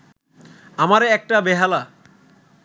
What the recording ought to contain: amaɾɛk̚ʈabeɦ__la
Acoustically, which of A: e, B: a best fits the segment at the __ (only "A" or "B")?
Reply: B